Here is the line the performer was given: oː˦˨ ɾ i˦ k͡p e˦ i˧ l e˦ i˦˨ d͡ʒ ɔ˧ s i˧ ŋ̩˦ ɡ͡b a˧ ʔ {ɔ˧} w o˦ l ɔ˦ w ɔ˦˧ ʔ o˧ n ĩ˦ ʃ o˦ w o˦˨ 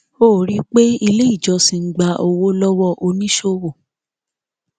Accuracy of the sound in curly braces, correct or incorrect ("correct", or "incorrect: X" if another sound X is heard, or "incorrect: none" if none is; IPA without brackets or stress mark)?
incorrect: o˧